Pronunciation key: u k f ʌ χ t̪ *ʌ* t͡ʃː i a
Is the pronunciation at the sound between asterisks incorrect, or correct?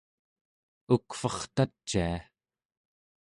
incorrect